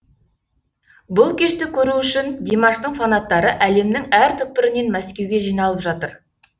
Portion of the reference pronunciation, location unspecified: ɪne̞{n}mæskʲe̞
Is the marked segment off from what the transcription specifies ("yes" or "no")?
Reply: no